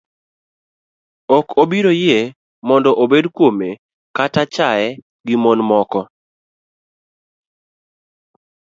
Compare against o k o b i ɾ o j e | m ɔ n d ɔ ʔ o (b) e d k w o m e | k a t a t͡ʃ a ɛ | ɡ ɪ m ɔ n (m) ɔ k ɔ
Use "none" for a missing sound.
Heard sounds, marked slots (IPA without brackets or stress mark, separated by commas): b, m